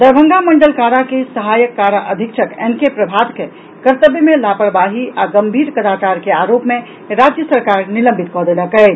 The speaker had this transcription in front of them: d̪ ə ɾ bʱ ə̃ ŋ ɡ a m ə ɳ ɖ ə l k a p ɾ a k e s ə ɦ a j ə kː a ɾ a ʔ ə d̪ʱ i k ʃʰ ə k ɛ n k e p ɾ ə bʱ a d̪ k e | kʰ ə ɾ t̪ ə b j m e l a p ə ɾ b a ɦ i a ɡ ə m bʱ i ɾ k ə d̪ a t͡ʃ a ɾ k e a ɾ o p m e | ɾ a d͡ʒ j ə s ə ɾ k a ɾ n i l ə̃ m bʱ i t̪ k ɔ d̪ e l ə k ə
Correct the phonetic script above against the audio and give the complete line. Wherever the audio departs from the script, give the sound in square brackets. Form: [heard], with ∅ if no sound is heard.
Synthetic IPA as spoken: d̪ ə ɾ bʱ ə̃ ŋ ɡ a m ə ɳ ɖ ə l k a [∅] ɾ a k e s ə ɦ a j ə kː a ɾ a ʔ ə d̪ʱ i k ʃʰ ə k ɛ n k e p ɾ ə bʱ a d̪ k e | [k] ə ɾ t̪ ə b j m e l a p ə ɾ b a ɦ i a ɡ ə m bʱ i ɾ k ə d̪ a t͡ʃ a ɾ k e a ɾ o p m e | ɾ a d͡ʒ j ə s ə ɾ k a ɾ n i l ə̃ m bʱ i t̪ k ɔ d̪ e l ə k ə